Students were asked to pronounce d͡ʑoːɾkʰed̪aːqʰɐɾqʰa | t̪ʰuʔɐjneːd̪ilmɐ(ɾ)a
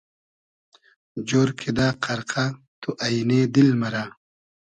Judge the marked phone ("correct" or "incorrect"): correct